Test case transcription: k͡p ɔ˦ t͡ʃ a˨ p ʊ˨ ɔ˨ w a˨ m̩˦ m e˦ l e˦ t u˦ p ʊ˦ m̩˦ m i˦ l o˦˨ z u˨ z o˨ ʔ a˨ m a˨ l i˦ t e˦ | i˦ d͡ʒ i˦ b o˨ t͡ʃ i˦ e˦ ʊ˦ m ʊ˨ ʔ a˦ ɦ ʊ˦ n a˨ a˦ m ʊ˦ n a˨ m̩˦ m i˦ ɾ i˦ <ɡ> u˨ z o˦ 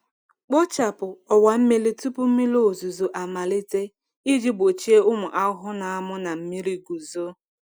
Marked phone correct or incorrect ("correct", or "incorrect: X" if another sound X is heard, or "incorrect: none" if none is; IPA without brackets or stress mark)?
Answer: correct